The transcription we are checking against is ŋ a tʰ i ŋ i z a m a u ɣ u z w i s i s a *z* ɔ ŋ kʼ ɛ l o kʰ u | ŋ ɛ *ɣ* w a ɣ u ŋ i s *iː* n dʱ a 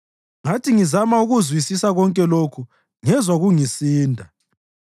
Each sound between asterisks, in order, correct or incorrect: incorrect: ɣ, incorrect: z, correct

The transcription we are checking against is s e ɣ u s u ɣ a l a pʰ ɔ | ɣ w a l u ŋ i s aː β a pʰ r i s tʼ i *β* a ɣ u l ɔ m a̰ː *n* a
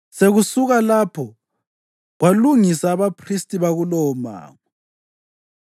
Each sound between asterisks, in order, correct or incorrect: correct, incorrect: ŋ

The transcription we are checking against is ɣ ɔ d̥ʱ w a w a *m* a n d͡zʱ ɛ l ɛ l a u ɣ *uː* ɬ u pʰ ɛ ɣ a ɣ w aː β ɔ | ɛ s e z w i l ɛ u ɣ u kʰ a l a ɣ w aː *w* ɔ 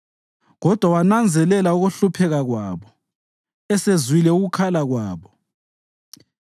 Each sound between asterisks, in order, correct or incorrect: incorrect: n, incorrect: u, incorrect: β

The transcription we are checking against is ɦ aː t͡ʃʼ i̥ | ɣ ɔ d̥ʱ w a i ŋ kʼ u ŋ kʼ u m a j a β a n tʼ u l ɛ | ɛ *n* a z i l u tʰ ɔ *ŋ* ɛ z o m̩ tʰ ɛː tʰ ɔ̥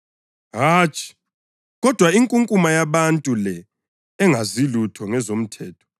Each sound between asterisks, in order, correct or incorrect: incorrect: ŋ, correct

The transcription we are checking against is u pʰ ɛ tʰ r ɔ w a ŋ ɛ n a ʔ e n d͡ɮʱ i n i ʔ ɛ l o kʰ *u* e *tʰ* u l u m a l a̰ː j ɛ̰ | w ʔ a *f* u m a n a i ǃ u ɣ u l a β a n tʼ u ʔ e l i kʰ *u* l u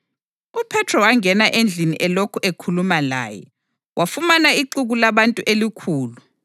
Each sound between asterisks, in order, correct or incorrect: correct, incorrect: kʰ, correct, incorrect: uː

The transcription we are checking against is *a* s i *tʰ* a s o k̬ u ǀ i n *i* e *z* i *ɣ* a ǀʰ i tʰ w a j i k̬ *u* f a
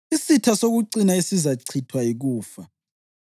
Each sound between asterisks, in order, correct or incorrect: incorrect: i, correct, incorrect: a, incorrect: s, incorrect: z, incorrect: uː

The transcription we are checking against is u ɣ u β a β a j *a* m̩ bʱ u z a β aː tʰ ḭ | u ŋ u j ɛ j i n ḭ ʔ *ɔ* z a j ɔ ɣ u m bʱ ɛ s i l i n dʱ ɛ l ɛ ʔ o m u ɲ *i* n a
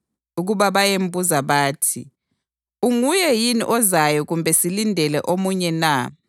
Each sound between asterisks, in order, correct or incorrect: incorrect: e, correct, incorrect: ɛ

